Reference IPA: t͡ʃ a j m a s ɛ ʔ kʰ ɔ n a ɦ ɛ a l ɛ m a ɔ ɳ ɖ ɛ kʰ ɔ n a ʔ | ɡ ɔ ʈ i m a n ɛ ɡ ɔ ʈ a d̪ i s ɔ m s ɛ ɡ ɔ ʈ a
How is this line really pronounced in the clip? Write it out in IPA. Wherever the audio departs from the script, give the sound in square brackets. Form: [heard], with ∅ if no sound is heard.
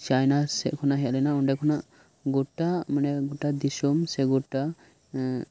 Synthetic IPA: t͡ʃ a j [n] a s ɛ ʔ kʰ ɔ n a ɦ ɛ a l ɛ [n] a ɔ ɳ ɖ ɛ kʰ ɔ n a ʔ | ɡ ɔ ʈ [a] m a n ɛ ɡ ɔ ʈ a d̪ i s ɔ m s ɛ ɡ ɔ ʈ a